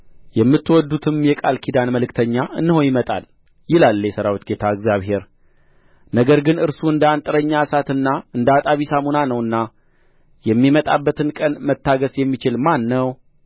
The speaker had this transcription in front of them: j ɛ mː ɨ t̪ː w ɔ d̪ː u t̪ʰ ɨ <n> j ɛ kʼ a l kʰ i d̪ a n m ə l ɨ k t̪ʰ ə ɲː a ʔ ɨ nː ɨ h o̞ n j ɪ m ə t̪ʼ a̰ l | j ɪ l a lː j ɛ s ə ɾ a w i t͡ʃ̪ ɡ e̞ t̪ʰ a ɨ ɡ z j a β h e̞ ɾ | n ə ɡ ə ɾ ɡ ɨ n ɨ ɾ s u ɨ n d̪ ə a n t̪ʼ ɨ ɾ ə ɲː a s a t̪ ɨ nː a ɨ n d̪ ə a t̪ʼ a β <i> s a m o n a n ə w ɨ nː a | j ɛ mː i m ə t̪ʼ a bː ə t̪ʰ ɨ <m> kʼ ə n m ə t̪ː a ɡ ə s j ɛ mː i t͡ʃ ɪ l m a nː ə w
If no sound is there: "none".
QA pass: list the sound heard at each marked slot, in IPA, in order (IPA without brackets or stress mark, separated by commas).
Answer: m, i, n